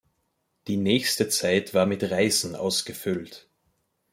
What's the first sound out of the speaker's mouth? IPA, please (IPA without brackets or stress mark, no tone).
d̥